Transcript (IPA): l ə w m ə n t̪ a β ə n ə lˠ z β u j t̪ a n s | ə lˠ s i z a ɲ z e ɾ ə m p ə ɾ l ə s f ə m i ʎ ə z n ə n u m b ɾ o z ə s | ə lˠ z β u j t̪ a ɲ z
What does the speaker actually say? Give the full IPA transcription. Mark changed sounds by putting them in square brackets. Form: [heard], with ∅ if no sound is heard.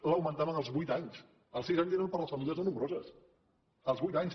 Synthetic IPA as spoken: l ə w m ə n t̪ a β ə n ə lˠ z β u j t̪ a [ɲ] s | ə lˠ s i z a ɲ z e ɾ ə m p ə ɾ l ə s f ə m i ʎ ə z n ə n u m b ɾ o z ə s | ə lˠ z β u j t̪ a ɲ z